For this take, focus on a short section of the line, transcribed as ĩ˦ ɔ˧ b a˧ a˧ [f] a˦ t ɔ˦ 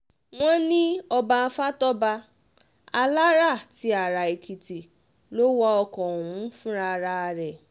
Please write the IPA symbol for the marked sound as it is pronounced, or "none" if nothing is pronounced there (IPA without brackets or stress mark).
f